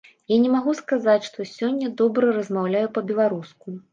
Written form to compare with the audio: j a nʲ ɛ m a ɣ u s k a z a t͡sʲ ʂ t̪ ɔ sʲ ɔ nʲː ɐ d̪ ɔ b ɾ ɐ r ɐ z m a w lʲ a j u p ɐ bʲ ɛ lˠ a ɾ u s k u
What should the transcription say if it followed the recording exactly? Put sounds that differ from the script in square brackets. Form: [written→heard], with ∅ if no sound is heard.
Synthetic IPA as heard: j a nʲ ɛ m a ɣ u s k a z a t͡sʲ ʂ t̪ ɔ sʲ ɔ nʲː ɐ d̪ ɔ b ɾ ɐ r ɐ z m a w lʲ a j u p ɐ bʲ ɛ lˠ a ɾ u s k u